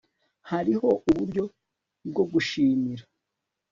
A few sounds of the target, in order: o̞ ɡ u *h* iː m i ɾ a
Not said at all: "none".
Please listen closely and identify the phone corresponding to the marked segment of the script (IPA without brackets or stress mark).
ʃ